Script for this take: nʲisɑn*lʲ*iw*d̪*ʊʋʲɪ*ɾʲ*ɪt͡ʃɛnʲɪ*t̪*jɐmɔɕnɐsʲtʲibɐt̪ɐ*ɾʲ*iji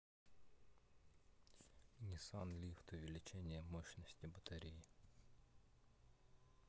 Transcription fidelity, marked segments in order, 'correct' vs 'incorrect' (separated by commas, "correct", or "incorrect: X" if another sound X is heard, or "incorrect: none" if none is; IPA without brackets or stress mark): correct, incorrect: t̪, incorrect: lʲ, incorrect: none, correct